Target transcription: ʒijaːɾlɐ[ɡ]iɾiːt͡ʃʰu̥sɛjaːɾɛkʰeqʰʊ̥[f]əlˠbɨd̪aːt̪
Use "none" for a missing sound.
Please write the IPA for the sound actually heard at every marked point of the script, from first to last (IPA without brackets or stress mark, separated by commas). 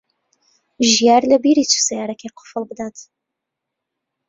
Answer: b, f